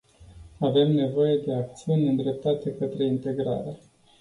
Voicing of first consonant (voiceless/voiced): voiced